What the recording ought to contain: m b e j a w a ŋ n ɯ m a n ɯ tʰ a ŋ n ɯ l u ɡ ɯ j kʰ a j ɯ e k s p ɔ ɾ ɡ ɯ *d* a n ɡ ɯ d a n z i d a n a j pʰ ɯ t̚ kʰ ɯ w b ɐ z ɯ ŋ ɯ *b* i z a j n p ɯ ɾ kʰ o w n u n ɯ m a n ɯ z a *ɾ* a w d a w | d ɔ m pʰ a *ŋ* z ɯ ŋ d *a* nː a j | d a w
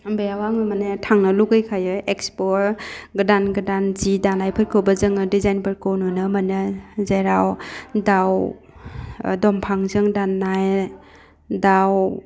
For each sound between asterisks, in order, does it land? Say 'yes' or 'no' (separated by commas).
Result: yes, no, yes, yes, yes